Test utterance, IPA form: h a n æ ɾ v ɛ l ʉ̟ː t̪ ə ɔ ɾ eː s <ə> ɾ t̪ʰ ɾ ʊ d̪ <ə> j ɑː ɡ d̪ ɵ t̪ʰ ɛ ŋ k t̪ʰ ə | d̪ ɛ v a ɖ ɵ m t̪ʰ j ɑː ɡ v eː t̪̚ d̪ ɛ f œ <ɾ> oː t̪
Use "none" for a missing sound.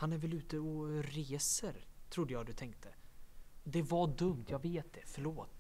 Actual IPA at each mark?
ə, ə, ɭ

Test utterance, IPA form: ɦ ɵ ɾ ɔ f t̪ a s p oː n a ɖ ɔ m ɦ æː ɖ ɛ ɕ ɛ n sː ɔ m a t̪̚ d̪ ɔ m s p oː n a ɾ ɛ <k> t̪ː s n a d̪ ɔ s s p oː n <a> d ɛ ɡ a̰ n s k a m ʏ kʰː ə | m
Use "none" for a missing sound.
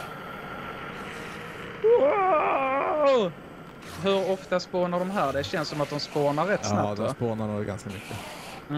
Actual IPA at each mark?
none, a

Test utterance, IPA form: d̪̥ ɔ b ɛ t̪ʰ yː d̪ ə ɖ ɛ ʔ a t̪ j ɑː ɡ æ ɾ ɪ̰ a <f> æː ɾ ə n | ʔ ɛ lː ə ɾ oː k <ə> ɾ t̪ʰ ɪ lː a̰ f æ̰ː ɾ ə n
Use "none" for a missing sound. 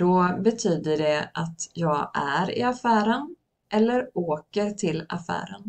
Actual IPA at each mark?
f, ə

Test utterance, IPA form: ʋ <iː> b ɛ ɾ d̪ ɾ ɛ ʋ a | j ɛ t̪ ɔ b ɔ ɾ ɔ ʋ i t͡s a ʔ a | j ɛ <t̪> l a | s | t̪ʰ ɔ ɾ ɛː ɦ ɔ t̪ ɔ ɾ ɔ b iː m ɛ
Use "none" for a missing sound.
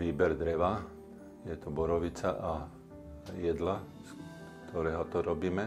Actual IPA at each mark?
iː, d̪

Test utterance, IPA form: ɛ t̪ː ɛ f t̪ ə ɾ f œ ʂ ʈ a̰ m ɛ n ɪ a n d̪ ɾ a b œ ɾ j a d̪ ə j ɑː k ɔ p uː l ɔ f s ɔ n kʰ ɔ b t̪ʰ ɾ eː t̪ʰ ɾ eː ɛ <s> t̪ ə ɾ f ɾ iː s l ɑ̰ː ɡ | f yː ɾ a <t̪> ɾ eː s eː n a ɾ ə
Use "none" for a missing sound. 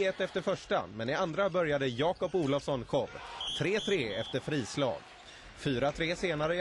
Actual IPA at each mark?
f, t̪ʰ

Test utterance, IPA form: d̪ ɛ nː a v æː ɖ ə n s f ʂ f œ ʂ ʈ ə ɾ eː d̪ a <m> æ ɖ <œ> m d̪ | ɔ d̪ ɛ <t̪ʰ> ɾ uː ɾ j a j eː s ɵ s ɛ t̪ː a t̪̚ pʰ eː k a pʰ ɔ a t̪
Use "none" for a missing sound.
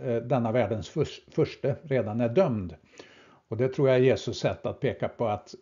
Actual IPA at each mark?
n, œ, t̪ʰ

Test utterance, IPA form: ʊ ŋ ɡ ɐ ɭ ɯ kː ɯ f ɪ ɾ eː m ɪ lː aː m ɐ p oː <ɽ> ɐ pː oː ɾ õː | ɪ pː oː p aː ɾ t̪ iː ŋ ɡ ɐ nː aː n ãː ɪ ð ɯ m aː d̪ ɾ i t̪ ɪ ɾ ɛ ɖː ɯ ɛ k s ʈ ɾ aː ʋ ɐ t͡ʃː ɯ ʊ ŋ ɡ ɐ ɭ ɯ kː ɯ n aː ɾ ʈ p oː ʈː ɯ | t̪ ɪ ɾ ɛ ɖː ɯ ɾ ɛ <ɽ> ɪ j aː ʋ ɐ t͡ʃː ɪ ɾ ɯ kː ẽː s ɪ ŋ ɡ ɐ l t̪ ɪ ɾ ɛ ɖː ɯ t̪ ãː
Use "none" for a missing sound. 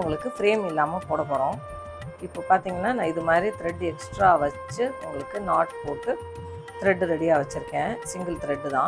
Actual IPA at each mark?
ɽ, ɽ

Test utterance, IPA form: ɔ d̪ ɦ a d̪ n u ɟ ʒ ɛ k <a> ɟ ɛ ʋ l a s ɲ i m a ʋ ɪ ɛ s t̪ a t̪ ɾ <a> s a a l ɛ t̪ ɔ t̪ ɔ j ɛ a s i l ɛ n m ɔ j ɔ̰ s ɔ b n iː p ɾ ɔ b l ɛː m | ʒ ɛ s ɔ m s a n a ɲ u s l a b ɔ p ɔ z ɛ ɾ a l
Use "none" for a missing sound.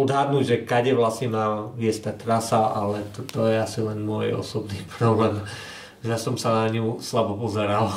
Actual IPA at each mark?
a, a

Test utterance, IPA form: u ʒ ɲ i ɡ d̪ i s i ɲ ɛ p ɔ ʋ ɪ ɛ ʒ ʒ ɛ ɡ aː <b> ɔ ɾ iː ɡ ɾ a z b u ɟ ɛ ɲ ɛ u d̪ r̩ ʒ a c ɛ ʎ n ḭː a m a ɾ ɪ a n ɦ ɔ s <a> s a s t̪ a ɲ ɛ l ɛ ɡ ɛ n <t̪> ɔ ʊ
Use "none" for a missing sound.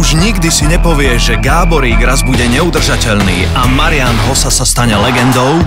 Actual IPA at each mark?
b, a, d̪

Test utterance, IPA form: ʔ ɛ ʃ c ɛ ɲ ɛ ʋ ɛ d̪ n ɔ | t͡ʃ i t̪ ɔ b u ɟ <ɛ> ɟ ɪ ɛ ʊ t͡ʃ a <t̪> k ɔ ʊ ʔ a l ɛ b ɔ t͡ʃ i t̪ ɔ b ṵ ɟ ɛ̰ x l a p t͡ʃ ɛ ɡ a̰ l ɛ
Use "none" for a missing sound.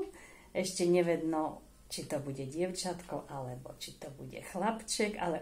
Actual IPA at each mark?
ɛ, t̪

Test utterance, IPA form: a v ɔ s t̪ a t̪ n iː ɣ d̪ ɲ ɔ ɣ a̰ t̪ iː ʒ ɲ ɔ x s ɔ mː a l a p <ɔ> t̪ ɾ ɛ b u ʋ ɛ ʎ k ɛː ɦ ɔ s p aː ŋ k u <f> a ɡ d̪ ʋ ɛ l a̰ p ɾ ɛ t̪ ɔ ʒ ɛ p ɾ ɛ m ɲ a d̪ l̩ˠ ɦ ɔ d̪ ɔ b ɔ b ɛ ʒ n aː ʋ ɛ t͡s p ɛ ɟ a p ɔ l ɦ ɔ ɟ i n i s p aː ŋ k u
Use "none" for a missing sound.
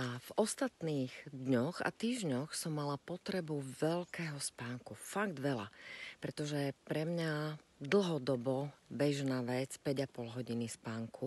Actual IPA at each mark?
ɔ, f

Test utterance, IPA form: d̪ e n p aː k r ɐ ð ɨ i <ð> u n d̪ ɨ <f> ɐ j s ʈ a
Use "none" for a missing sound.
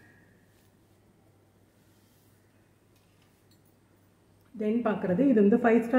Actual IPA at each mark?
ð, f

